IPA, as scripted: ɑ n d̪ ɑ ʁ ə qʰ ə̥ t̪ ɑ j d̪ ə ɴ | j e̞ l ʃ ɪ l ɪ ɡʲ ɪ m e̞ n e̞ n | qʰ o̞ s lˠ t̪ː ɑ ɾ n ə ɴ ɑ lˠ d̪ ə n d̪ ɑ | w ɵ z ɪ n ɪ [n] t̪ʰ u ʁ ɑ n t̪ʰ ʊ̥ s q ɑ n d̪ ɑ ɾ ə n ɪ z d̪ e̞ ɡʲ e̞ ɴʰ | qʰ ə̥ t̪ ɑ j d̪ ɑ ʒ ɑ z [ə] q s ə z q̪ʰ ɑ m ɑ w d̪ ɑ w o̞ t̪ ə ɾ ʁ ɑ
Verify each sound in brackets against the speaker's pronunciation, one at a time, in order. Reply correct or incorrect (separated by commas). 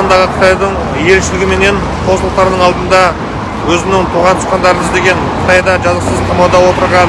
incorrect, correct